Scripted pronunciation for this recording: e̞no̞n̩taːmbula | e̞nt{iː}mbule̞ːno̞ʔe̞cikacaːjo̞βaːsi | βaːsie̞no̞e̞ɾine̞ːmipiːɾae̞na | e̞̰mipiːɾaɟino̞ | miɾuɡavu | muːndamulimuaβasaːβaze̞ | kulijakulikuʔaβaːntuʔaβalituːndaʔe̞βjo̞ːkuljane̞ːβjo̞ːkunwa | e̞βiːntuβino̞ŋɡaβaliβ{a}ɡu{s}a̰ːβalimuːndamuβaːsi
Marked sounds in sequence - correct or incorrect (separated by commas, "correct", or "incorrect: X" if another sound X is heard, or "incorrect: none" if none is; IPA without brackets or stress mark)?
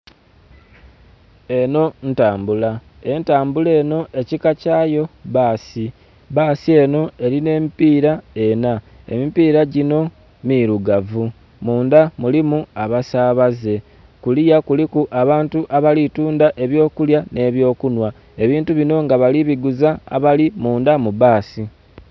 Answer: incorrect: aː, incorrect: i, incorrect: z